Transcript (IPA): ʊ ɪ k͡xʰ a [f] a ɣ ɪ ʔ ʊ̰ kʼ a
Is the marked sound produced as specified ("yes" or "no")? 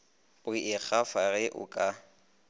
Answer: yes